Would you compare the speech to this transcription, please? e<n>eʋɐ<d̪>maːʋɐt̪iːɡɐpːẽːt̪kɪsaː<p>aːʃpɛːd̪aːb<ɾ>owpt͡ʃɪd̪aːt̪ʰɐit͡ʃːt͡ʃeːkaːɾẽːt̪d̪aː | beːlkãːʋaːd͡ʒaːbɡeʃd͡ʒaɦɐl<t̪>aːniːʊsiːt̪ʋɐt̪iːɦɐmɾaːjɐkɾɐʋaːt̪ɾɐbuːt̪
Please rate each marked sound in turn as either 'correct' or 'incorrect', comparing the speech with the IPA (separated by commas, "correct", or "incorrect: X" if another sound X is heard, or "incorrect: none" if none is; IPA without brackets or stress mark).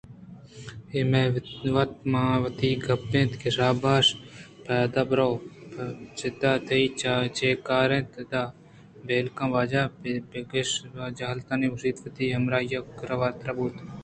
incorrect: m, incorrect: t̪, incorrect: b, correct, correct